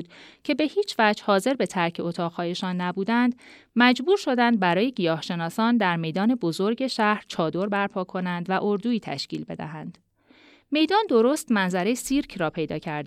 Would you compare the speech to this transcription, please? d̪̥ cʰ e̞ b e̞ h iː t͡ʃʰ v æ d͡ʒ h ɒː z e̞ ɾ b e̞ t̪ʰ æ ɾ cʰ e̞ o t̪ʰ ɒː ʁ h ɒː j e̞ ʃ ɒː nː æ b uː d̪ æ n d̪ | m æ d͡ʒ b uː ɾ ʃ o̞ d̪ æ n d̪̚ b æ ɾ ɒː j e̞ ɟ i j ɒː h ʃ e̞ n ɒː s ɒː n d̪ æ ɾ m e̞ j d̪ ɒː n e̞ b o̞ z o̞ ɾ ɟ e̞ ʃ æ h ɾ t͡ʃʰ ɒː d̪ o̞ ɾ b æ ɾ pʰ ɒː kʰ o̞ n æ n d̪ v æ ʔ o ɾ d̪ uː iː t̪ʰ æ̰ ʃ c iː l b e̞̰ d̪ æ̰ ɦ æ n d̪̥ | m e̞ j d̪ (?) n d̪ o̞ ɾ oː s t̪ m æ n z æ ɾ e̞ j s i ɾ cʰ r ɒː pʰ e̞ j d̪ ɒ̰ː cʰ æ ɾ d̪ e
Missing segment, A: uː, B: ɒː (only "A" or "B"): B